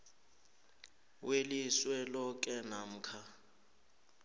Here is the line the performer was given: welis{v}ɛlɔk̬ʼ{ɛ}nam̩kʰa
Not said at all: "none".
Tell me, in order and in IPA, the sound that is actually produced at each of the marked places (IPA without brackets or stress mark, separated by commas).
w, ɛ